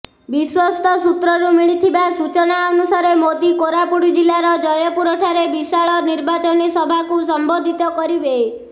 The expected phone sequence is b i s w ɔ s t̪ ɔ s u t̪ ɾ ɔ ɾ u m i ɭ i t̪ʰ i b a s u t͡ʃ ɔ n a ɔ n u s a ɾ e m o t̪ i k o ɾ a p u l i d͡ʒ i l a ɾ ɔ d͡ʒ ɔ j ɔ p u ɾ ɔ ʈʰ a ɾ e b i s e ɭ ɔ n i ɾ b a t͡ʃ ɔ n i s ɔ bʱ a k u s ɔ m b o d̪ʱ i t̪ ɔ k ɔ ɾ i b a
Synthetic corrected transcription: b i s w ɔ s t̪ ɔ s u t̪ ɾ ɔ ɾ u m i ɭ i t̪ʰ i b a s u t͡ʃ ɔ n a ɔ n u s a ɾ e m o d̪ i k o ɾ a p u ɽ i d͡ʒ i l a ɾ ɔ d͡ʒ ɔ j ɔ p u ɾ ɔ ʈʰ a ɾ e b i s a ɭ ɔ n i ɾ b a t͡ʃ ɔ n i s ɔ bʱ a k u s ɔ m b o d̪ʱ i t̪ ɔ k ɔ ɾ i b e